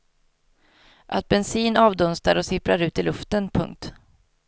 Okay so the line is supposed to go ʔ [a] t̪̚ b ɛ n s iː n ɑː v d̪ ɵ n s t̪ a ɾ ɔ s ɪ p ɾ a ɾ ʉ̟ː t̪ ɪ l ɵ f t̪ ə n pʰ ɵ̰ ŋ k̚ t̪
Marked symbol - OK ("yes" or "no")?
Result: yes